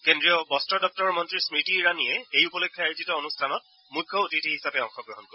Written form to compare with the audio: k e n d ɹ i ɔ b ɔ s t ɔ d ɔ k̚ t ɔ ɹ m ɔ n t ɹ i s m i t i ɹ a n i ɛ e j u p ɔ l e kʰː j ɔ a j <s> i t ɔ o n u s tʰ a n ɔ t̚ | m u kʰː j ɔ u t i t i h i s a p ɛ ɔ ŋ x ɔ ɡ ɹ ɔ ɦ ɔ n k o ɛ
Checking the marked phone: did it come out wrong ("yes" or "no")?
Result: yes